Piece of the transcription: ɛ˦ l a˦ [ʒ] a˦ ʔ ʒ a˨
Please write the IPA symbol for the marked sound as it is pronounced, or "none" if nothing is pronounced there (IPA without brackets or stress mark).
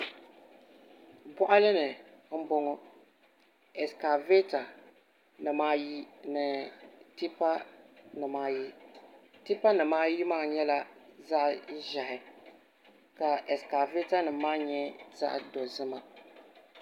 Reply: z